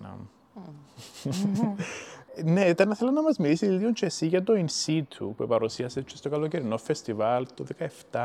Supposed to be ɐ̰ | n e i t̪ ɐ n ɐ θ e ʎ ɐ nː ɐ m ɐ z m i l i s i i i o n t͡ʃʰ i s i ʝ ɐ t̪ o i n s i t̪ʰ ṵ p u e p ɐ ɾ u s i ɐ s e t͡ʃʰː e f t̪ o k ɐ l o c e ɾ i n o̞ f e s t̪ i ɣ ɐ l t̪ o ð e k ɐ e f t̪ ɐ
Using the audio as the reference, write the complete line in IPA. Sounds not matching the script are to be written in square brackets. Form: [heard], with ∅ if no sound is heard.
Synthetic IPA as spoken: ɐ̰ | n e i t̪ ɐ n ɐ θ e [l] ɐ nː ɐ m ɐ z m i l i s i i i o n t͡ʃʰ [e] s i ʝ ɐ t̪ o i n s i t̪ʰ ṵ p u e p ɐ ɾ u s i ɐ s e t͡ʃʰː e [s] t̪ o k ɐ l o c e ɾ i n o̞ f e s t̪ i [v] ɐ l t̪ o ð e k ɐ e f t̪ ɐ